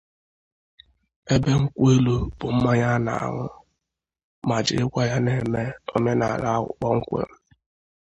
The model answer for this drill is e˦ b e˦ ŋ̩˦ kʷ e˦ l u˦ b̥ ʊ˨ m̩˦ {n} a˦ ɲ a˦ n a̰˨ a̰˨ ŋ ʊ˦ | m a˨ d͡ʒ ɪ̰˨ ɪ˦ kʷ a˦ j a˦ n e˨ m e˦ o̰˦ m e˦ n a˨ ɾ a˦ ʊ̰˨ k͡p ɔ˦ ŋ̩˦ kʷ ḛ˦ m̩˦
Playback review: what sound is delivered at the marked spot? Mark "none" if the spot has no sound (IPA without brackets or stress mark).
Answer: m